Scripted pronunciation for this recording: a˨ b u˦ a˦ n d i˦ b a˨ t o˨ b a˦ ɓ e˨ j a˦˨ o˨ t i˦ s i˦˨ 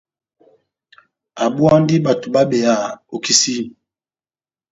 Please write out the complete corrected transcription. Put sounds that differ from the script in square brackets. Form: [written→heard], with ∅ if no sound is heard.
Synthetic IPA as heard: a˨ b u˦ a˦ n d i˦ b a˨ t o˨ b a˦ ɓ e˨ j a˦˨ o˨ [t→k] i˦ s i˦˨